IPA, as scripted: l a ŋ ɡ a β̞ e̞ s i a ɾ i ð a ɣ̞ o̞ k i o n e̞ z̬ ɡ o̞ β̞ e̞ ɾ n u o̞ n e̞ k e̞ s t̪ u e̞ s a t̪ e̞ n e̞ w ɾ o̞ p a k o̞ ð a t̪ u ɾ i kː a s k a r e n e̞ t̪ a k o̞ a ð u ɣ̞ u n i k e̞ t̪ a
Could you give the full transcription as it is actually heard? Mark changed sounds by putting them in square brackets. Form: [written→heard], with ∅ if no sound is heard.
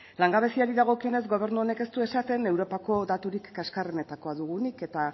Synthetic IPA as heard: l a ŋ ɡ a β̞ e̞ s i a ɾ i ð a ɣ̞ o̞ k i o n e̞ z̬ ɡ o̞ β̞ e̞ ɾ n u o̞ n e̞ k e̞ s t̪ u e̞ s a t̪ e̞ n e̞ w ɾ o̞ p a k o̞ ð a t̪ u ɾ i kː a s k a r e n e̞ t̪ a k o̞ a ð u ɣ̞ u n i k e̞ t̪ a